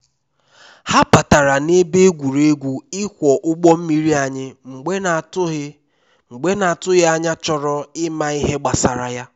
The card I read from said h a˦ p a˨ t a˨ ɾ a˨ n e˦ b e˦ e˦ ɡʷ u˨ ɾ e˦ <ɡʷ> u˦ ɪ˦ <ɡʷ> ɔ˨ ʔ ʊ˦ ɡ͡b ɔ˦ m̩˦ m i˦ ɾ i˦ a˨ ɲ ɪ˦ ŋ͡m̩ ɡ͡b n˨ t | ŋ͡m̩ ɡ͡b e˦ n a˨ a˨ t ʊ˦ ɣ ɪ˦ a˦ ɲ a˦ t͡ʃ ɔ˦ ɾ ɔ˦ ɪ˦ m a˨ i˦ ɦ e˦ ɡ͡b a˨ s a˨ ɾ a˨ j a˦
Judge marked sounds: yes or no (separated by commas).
yes, no